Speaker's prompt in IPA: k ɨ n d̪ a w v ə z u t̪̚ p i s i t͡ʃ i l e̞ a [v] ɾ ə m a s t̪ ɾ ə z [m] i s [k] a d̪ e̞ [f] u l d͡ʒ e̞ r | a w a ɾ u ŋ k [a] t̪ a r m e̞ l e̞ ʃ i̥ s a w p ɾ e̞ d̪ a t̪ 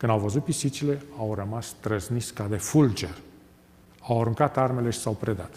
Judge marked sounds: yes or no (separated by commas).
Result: no, no, yes, yes, yes